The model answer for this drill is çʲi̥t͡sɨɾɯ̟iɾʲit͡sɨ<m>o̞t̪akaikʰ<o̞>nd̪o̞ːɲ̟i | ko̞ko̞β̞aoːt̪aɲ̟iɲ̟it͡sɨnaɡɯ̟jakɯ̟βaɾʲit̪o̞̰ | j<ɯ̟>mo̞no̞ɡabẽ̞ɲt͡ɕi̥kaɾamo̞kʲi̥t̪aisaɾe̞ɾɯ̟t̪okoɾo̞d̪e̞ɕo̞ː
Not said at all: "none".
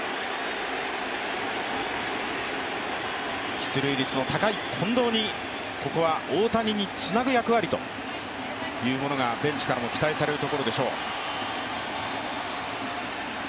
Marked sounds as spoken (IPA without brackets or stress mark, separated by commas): n, õ̞, ɯ̟ː